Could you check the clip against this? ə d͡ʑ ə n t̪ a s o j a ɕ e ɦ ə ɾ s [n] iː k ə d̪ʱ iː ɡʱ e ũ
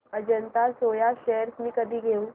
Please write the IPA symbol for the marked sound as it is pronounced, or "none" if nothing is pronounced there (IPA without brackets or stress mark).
m